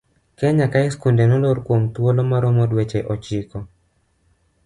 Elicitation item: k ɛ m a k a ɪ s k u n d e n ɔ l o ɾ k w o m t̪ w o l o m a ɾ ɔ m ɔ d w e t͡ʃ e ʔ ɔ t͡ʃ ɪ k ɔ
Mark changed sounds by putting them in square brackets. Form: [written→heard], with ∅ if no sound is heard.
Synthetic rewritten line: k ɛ [m→ɲ] a k a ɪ s k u n d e n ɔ l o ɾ k w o m t̪ w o l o m a ɾ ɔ m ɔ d w e t͡ʃ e ʔ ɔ t͡ʃ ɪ k ɔ